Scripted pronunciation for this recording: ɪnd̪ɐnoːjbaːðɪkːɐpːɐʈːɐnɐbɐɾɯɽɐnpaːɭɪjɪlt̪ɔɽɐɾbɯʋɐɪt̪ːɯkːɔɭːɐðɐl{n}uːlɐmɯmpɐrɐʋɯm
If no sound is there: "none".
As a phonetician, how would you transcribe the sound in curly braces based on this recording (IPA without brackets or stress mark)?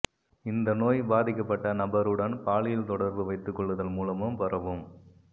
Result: m